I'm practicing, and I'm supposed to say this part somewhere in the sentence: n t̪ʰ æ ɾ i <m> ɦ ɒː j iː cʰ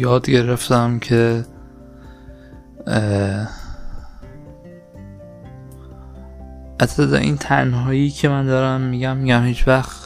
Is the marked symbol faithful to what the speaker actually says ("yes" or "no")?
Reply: no